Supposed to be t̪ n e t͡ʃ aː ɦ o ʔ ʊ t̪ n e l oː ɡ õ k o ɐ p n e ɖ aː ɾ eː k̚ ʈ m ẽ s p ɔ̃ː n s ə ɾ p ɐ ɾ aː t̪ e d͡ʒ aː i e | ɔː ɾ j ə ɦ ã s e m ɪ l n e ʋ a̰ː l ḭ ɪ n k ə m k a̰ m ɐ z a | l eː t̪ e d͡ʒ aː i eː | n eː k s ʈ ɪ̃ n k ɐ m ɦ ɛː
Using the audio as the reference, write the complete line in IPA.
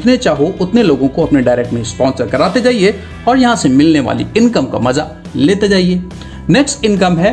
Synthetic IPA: t̪ n e t͡ʃ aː ɦ o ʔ ʊ t̪ n e l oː ɡ õ k o ɐ p n e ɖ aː ɾ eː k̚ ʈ m ẽ s p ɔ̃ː n s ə ɾ k ɐ ɾ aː t̪ e d͡ʒ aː i e | ɔː ɾ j ɐ ɦ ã s e m ɪ l n e ʋ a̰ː l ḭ ɪ n k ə m k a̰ m ɐ z a | l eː t̪ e d͡ʒ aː i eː | n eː k s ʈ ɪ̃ n k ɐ m ɦ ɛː